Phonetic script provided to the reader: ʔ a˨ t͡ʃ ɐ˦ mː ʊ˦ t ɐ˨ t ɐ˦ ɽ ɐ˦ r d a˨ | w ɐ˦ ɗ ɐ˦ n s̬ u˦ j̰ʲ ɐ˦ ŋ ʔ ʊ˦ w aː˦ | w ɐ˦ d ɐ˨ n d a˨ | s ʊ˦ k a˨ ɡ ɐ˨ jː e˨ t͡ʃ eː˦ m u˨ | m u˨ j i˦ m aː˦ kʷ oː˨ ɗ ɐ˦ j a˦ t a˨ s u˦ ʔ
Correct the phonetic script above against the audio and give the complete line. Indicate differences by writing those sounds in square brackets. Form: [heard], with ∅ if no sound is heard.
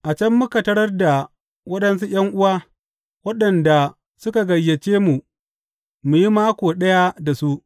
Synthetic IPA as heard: ʔ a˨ t͡ʃ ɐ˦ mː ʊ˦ [k] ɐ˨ t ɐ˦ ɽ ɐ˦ r d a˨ | w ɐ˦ ɗ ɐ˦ n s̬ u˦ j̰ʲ ɐ˦ ŋ ʔ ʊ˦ w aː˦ | w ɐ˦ [ɗ] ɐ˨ n d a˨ | s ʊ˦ k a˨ ɡ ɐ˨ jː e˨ t͡ʃ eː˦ m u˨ | m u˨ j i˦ m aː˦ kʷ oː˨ ɗ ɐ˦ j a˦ [d] a˨ s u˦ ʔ